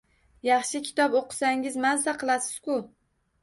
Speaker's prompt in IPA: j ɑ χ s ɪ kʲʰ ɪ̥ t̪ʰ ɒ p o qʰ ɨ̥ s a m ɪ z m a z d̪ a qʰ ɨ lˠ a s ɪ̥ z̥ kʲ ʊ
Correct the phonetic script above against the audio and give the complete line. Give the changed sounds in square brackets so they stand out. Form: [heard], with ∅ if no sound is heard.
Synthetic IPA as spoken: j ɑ χ [ʃ] ɪ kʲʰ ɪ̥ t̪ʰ ɒ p o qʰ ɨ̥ s a [ŋ] ɪ z m a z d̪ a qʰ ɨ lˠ a s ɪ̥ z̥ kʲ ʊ